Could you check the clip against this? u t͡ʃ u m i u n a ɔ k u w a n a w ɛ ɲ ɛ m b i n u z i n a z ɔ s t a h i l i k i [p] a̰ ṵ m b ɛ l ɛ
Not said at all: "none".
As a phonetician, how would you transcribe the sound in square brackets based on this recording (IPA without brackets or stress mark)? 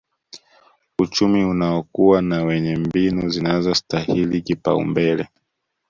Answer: p